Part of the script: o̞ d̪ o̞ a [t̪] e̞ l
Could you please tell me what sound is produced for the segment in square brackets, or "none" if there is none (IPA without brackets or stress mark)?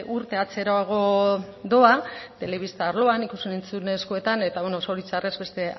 t̪